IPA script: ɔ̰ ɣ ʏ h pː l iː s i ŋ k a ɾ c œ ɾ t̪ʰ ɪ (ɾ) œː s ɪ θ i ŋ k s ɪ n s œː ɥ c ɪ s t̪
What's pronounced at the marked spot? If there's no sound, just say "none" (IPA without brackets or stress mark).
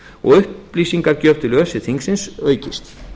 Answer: l